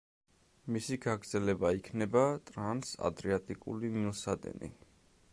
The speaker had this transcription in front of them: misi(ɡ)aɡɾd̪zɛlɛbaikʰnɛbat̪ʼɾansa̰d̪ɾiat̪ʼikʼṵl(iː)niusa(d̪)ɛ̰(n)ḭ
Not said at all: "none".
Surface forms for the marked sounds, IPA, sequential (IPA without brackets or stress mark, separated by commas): ɡ, i, d̪, n